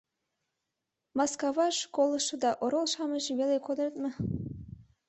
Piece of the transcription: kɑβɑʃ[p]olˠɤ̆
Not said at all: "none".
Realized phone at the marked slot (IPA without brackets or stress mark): k